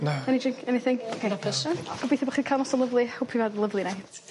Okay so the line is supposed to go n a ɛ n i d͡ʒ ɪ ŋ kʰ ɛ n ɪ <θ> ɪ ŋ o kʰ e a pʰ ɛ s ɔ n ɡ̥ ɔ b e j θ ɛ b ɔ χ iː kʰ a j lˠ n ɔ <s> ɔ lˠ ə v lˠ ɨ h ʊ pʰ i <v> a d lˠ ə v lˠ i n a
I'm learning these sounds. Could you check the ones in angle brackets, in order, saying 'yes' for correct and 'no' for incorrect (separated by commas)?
yes, yes, yes